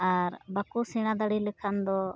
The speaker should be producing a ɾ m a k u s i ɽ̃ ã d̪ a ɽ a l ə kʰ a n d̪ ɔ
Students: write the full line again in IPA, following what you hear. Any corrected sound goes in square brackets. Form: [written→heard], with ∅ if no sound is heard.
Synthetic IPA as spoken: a ɾ [m→b] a k u s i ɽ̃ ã d̪ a ɽ [a→i] l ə kʰ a n d̪ ɔ